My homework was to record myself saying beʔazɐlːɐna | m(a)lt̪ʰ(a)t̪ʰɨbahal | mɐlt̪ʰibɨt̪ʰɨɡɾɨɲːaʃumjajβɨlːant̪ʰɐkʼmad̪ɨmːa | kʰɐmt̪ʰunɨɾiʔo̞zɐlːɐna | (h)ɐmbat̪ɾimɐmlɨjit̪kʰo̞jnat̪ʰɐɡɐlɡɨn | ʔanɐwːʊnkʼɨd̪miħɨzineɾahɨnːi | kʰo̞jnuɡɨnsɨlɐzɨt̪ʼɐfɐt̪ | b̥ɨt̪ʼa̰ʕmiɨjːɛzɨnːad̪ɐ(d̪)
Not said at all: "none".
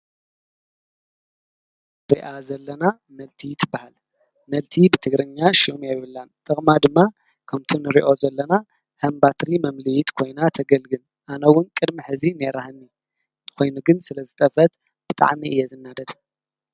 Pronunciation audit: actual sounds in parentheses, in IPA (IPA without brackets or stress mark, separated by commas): ɐ, i, h, d̪